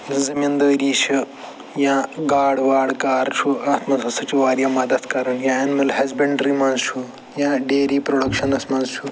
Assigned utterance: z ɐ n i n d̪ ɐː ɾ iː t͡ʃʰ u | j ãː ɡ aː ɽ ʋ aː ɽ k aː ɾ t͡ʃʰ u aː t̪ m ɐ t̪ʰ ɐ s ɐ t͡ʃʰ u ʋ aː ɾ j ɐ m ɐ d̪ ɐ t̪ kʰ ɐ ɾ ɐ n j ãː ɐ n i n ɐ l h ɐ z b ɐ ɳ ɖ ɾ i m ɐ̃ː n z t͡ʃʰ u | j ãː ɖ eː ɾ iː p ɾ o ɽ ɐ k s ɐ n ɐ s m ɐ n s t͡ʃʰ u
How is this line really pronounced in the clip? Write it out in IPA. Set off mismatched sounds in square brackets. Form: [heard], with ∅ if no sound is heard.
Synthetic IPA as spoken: z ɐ [m] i n d̪ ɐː ɾ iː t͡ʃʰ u | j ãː ɡ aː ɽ ʋ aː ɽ k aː ɾ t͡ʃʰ u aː t̪ m ɐ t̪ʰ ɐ s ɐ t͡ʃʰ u ʋ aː ɾ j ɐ m ɐ d̪ ɐ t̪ [k] ɐ ɾ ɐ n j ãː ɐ n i [m] ɐ l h ɐ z b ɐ ɳ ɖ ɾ i m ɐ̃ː n z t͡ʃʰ u | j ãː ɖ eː ɾ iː p ɾ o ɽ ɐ k [ʃ] ɐ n ɐ s m ɐ n [z] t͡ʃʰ u

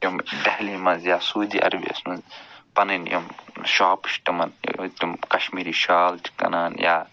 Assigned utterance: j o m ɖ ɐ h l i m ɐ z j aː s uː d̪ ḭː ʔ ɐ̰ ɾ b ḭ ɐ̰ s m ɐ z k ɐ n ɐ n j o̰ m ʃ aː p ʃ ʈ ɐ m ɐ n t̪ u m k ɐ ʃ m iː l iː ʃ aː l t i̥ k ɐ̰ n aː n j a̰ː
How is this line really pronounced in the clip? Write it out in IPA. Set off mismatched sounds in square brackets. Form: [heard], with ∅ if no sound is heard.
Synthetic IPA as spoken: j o m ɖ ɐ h l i m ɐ z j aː s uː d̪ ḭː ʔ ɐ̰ ɾ b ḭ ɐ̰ s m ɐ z [p] ɐ n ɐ n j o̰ m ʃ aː p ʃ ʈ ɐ m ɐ n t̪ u m k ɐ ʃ m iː [ɾ] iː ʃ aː l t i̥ k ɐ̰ n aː n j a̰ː

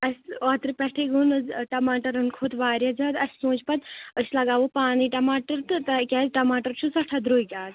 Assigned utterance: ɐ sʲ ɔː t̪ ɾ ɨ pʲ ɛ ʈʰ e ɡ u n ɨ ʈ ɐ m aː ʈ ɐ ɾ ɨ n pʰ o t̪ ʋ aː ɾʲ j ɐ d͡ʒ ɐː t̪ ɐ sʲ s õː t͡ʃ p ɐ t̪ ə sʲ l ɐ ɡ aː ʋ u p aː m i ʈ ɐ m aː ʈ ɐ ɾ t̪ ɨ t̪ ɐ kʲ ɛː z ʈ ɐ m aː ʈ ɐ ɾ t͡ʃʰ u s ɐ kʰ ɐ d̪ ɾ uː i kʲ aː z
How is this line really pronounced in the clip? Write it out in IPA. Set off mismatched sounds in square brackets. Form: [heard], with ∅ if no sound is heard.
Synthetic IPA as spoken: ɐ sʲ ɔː t̪ ɾ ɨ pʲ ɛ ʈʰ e ɡ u n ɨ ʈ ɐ m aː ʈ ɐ ɾ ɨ n [kʰ] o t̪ ʋ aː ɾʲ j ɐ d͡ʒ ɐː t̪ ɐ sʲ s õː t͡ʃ p ɐ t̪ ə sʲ l ɐ ɡ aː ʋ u p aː [n] i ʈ ɐ m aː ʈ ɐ ɾ t̪ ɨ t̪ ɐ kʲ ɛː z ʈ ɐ m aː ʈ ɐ ɾ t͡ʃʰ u s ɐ [ʈʰ] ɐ d̪ ɾ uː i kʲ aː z

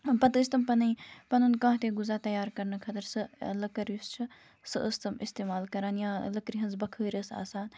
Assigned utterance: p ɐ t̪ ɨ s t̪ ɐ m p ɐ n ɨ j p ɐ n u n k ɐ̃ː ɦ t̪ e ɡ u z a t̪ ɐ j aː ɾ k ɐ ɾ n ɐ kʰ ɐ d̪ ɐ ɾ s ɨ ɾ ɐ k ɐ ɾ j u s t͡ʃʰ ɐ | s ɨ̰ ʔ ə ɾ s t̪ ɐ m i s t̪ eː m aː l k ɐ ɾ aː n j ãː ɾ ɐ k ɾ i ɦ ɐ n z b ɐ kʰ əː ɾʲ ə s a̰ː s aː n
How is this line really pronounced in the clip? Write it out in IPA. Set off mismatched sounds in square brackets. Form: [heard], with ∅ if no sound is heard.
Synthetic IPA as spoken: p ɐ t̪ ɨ s t̪ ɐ m p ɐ n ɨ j p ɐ n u n k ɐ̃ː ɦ t̪ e ɡ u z a t̪ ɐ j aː ɾ k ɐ ɾ n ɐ kʰ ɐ [t̪] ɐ ɾ s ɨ [l] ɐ k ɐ ɾ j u s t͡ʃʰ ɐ | s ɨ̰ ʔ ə [∅] s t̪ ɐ m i s t̪ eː m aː l k ɐ ɾ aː n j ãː [l] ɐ k ɾ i ɦ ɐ n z b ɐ kʰ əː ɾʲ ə s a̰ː s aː n

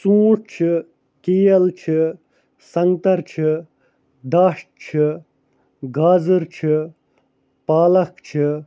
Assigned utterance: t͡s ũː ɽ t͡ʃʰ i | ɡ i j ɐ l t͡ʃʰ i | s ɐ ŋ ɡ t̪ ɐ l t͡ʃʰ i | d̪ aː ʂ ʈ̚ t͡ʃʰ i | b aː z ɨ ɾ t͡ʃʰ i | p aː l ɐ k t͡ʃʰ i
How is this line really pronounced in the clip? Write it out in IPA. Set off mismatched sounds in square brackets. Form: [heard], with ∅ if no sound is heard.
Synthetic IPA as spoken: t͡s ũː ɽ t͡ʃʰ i | [k] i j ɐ l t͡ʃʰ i | s ɐ ŋ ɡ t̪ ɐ [ɾ] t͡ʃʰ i | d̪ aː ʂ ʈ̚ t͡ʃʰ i | [ɡ] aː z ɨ ɾ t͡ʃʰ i | p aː l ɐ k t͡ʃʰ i

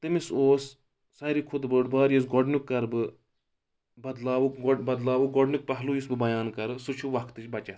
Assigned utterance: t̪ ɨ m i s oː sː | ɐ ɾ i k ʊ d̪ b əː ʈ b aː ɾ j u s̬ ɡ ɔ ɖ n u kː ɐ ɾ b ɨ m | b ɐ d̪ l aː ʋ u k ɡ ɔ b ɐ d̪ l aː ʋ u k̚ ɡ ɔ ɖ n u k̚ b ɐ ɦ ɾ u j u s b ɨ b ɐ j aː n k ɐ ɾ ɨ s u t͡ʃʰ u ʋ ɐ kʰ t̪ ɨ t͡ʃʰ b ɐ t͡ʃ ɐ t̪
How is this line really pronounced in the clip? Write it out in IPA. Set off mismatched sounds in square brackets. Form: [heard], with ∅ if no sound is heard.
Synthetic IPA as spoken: t̪ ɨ m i s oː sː | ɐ ɾ i [kʰ] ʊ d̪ b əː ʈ b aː ɾ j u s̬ ɡ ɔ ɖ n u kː ɐ ɾ b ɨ [∅] | b ɐ d̪ l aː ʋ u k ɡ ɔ b ɐ d̪ l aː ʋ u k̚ ɡ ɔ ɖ n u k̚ [p] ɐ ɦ [l] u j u s b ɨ b ɐ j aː n k ɐ ɾ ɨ s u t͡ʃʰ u ʋ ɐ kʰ t̪ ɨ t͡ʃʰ b ɐ t͡ʃ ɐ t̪

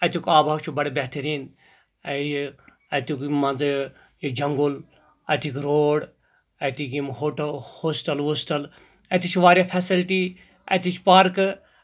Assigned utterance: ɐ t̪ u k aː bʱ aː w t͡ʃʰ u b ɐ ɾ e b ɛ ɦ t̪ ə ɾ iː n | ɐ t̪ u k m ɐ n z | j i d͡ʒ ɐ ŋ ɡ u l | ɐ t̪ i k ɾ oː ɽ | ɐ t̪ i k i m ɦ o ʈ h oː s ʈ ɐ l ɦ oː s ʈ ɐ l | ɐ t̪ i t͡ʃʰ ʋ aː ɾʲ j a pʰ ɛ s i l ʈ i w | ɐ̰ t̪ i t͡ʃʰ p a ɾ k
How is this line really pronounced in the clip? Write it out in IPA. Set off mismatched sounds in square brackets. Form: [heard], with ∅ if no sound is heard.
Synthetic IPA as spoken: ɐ t̪ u k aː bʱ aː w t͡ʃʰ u b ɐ [ɽ] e b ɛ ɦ t̪ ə ɾ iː n | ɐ t̪ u k m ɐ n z | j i d͡ʒ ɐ ŋ ɡ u l | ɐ t̪ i k ɾ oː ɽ | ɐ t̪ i k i m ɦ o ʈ h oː s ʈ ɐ l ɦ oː s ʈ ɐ l | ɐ t̪ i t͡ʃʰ ʋ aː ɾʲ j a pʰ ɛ s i l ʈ i [∅] | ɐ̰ t̪ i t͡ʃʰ p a ɾ k

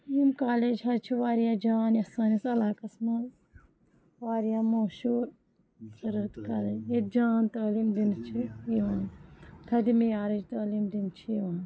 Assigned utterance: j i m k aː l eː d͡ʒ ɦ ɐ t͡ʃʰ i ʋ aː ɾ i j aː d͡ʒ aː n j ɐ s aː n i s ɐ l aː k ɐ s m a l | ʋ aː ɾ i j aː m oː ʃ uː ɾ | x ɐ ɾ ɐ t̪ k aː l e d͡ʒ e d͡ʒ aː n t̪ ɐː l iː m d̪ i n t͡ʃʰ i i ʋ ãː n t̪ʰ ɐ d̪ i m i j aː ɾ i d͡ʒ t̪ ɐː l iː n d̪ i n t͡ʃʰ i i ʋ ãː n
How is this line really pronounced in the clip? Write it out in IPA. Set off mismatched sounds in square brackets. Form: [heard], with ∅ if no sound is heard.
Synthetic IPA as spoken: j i m k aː l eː d͡ʒ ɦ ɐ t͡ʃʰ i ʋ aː ɾ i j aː d͡ʒ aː n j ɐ s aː n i s ɐ l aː k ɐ s m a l | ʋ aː ɾ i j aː m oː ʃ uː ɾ | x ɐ ɾ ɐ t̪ k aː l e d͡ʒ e d͡ʒ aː n t̪ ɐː l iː m d̪ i n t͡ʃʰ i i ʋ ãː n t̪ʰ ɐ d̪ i m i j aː ɾ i d͡ʒ t̪ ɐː l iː [m] d̪ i n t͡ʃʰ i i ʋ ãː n

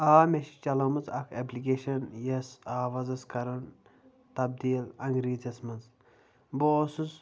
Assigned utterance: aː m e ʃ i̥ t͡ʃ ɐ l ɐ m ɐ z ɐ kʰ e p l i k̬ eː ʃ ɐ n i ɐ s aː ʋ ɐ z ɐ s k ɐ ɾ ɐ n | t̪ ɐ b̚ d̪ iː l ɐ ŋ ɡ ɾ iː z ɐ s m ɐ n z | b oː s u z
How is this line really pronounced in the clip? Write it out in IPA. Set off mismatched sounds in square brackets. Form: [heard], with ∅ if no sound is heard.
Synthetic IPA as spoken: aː m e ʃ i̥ t͡ʃ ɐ l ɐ m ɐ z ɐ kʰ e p l i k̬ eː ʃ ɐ n [j] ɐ s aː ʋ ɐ z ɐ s k ɐ ɾ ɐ n | t̪ ɐ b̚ d̪ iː l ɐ ŋ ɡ ɾ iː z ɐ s m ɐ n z | b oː s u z

